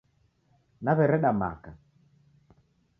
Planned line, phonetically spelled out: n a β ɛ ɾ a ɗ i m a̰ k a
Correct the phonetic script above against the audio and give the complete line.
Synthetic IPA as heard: n a β ɛ ɾ ɛ ɗ a m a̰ k a